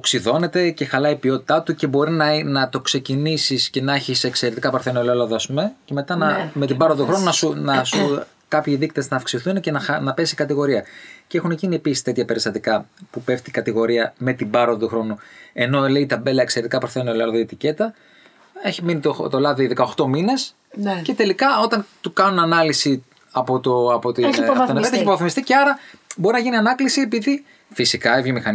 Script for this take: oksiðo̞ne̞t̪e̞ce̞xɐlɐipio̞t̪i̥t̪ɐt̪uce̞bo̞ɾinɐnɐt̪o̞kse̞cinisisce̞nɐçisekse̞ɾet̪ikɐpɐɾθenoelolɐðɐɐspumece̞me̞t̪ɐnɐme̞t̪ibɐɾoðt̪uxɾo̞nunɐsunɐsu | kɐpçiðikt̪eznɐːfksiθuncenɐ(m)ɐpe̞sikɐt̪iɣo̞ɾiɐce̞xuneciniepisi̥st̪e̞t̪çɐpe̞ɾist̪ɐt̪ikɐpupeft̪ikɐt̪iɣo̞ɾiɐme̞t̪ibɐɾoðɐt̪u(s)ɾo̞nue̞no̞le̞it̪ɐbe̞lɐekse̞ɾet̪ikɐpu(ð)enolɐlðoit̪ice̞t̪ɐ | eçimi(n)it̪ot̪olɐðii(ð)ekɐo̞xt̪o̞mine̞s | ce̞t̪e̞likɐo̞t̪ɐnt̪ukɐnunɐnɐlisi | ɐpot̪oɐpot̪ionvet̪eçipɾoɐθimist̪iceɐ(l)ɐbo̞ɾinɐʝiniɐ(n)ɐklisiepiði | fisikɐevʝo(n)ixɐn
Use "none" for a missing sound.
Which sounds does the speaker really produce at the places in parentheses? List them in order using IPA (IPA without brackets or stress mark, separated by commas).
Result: n, x, θ, n, ð, ɾ, n, m